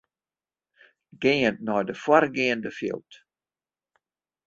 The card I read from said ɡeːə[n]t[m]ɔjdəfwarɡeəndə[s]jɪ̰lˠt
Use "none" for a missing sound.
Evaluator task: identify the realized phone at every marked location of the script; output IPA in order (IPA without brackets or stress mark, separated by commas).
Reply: n, n, f